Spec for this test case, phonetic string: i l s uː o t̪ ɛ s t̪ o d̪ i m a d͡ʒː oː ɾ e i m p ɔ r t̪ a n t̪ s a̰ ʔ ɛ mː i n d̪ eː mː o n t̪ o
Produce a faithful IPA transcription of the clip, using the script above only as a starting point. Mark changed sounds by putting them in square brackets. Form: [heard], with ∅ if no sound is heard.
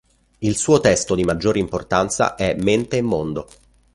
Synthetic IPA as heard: i l s uː o t̪ ɛ s t̪ o d̪ i m a d͡ʒː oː ɾ e i m p [o] r t̪ a n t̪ s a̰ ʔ ɛ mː [e] n [t̪] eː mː o n [d̪] o

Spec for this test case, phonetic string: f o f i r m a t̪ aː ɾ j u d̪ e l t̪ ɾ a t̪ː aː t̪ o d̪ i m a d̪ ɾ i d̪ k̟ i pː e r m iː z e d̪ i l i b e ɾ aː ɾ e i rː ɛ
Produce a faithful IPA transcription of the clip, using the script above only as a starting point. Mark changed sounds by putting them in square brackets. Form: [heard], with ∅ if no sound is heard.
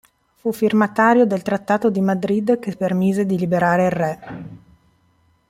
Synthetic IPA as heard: f [u] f i r m a t̪ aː ɾ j [o] d̪ e l t̪ ɾ a t̪ː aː t̪ o d̪ i m a d̪ ɾ i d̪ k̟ [e] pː e r m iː z e d̪ i l i b e ɾ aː ɾ e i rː ɛ

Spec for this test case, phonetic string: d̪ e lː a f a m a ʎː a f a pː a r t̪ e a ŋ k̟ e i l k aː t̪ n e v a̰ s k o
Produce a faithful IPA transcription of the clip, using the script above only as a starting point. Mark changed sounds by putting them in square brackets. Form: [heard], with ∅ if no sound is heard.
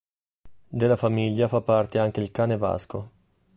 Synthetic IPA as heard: d̪ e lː a f a m [i] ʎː a f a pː a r t̪ e a ŋ k̟ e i l k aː [∅] n e v a̰ s k o

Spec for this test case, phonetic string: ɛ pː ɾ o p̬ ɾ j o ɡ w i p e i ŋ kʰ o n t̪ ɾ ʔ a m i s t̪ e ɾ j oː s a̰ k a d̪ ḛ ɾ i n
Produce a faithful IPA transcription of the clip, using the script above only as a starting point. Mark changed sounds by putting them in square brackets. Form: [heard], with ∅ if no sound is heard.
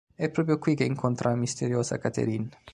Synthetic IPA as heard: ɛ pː ɾ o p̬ ɾ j o [k] w i [k] e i ŋ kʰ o n t̪ ɾ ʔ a m i s t̪ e ɾ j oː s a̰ k a [t̪] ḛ ɾ i n

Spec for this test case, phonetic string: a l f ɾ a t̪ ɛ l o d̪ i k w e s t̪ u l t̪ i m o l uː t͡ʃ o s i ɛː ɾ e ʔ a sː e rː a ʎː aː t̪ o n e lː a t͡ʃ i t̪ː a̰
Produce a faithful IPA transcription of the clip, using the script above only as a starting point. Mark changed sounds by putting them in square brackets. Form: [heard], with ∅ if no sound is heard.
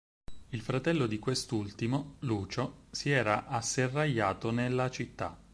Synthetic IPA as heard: [i] l f ɾ a t̪ ɛ [lː] o d̪ i k w e s t̪ u l t̪ i m o l uː t͡ʃ o s i ɛː ɾ [a] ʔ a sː e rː a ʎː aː t̪ o n e lː a t͡ʃ i t̪ː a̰

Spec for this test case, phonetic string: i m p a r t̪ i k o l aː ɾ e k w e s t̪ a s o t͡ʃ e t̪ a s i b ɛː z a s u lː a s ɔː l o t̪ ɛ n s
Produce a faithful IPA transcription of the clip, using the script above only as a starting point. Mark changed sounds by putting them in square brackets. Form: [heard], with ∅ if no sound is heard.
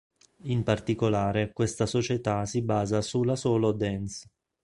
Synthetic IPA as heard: i m p a r t̪ i k o l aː ɾ e k w e s t̪ a s o t͡ʃ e t̪ a s i b [aː] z a s u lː a s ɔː l o [d̪] ɛ n s

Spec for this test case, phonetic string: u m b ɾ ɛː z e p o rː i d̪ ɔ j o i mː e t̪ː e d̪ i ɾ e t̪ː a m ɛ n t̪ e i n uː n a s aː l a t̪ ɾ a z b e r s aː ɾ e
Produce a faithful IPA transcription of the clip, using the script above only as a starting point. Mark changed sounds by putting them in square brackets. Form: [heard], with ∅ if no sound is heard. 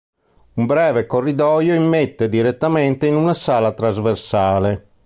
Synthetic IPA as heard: u m b ɾ ɛː [v] e [k] o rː i d̪ ɔ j o i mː e t̪ː e d̪ i ɾ e t̪ː a m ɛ n t̪ e i n [u] n a s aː l a t̪ ɾ a z [v] e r s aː [l] e

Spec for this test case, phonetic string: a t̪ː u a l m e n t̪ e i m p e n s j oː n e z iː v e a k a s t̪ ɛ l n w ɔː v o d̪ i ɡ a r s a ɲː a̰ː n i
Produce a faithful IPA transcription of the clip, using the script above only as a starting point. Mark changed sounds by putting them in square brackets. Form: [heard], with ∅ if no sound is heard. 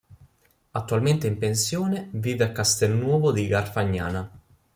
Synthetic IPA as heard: a t̪ː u a l m e n t̪ e i m p e n s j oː n e [v] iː v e a k a s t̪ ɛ l n w ɔː v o d̪ i ɡ a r [f] a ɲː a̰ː n [a]

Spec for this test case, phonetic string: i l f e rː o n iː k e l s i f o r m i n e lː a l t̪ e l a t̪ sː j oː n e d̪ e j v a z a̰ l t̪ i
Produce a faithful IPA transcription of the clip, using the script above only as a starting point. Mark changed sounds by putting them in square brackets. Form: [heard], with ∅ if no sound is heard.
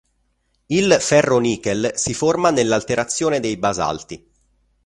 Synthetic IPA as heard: i l f [ɛ] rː o n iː k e l s i f o r m [a] n e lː a l t̪ e [ɾ] a t̪ sː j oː n e d̪ e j [b] a z a̰ l t̪ i

